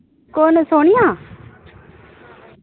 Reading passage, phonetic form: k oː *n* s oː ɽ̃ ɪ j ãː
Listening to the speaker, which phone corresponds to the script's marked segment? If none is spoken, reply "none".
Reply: n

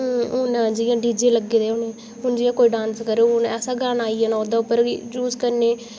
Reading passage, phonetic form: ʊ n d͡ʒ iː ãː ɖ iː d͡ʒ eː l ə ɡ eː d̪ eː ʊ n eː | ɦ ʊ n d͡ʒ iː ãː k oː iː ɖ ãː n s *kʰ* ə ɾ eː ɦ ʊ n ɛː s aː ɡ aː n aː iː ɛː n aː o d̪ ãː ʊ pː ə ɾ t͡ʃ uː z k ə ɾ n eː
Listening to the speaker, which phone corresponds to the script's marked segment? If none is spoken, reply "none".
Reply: k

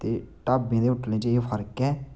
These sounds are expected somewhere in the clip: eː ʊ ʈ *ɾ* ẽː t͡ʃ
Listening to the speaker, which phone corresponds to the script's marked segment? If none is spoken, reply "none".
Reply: l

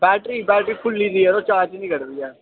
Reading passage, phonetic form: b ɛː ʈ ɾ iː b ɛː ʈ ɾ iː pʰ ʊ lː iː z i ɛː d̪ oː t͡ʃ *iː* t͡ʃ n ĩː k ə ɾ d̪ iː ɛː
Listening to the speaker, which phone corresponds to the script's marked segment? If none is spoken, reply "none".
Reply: aː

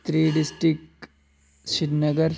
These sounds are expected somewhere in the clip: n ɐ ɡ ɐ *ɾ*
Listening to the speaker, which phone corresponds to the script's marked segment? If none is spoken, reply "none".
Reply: ɾ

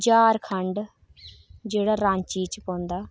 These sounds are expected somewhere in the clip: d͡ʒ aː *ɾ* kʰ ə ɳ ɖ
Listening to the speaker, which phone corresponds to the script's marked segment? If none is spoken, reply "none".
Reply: ɾ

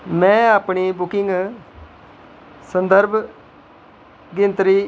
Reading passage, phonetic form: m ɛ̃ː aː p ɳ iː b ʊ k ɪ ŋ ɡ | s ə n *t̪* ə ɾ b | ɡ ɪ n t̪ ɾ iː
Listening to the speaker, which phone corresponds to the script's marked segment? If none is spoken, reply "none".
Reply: d̪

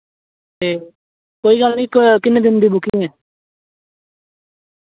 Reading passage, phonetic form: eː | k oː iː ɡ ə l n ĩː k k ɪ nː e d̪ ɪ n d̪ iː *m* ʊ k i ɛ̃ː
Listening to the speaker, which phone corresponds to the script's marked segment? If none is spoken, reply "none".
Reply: b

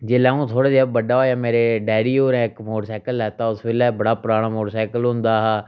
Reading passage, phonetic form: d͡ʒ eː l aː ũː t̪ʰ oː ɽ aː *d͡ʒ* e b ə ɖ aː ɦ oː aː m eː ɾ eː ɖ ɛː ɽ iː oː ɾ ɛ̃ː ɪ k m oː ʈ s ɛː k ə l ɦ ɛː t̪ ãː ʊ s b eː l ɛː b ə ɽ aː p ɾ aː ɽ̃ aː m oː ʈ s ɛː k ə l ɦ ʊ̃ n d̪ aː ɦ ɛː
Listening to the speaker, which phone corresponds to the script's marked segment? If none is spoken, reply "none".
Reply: d͡ʒ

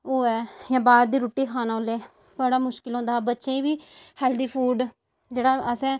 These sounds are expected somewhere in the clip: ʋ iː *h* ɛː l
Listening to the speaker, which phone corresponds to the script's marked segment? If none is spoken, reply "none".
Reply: h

